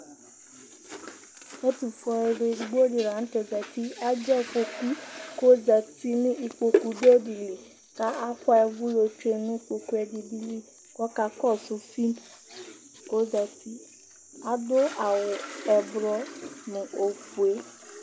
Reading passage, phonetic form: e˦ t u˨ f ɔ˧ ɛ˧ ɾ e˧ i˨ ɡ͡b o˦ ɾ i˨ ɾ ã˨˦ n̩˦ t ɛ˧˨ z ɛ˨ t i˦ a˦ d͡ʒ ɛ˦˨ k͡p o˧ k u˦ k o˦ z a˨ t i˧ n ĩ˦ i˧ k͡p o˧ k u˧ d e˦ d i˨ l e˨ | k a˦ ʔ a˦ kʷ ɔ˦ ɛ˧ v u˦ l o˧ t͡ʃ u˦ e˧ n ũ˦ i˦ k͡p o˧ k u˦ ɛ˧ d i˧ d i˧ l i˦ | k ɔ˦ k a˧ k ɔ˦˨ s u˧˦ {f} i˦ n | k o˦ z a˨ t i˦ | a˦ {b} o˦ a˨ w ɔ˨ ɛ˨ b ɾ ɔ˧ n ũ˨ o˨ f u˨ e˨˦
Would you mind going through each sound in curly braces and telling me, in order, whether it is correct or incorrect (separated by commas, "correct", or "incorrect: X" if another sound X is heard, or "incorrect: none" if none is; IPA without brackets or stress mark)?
correct, incorrect: d